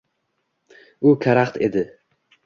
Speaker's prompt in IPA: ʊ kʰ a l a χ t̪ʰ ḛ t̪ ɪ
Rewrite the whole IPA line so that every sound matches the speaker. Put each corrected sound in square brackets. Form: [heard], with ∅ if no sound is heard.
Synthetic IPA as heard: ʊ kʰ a [ɾ] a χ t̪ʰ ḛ [d̪] ɪ